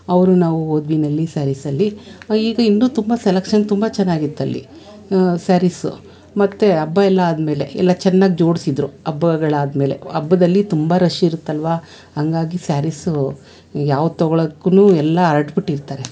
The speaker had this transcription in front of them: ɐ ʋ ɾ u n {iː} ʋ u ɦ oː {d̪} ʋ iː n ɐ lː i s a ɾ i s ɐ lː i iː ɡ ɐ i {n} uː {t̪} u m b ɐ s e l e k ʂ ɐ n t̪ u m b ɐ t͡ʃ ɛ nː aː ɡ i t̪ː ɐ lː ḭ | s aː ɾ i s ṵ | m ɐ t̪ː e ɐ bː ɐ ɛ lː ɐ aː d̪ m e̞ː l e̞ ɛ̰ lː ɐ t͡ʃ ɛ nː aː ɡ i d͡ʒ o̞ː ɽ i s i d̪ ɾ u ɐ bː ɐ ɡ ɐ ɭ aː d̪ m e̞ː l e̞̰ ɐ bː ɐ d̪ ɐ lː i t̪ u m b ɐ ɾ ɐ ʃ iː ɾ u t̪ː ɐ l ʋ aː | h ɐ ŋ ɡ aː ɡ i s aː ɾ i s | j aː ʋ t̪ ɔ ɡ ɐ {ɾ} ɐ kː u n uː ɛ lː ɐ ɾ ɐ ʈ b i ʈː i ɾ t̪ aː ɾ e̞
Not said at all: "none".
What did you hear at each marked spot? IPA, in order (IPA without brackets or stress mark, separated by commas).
aː, d̪, nː, t̪, ɭ